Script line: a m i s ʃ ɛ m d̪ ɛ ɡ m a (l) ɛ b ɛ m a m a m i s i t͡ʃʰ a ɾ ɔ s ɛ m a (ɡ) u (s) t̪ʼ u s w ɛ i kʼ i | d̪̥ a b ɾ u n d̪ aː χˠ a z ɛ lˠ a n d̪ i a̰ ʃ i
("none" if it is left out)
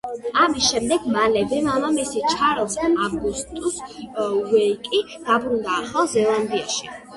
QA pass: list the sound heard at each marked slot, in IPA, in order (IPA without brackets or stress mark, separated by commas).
l, ɡ, s